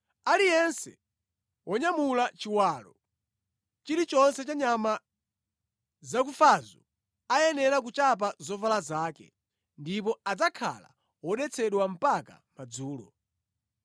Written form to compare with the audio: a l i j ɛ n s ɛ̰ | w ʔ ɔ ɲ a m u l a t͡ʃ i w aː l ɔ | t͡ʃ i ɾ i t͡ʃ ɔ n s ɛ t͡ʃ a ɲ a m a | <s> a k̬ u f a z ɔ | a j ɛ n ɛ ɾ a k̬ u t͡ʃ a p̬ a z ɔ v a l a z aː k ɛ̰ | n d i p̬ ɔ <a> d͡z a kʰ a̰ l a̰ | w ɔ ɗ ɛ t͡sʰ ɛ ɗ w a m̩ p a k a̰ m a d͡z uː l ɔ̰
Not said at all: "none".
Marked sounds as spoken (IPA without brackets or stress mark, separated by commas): z, a